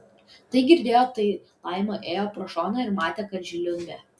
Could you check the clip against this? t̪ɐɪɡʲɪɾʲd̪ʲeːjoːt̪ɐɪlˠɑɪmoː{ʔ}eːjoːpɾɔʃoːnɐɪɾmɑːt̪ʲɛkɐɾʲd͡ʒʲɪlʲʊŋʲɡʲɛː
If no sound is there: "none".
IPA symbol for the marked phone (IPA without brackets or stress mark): ʔ